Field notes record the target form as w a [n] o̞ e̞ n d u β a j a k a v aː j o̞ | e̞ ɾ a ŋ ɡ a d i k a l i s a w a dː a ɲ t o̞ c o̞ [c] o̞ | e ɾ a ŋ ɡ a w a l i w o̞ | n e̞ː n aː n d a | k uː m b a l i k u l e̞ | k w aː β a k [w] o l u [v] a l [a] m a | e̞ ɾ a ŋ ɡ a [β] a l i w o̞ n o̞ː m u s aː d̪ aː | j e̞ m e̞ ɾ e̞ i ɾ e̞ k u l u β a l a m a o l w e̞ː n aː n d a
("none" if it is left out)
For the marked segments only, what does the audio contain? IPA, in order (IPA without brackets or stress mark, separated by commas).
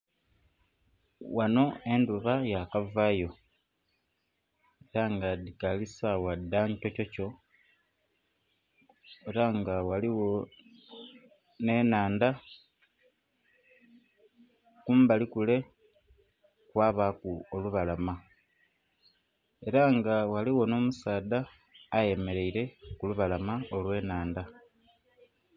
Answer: n, c, u, β, a, w